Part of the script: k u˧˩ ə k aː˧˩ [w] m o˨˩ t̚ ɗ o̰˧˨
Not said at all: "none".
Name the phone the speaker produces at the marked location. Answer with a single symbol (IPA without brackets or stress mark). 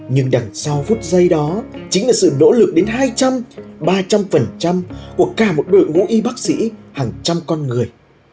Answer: none